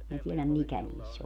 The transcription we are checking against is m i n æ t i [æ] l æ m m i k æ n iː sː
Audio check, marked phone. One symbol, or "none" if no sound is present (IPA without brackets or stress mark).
e